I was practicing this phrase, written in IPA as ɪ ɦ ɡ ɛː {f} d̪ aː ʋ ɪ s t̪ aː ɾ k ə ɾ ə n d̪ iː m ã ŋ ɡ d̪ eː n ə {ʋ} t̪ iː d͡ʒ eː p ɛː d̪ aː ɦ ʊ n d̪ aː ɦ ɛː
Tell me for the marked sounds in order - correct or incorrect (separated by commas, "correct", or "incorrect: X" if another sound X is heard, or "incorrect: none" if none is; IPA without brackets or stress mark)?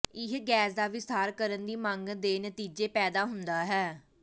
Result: incorrect: s, incorrect: none